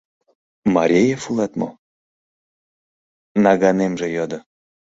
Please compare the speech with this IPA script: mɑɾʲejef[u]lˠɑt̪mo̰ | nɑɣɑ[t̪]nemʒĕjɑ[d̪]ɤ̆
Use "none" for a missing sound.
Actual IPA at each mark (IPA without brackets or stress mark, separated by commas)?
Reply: u, none, d̪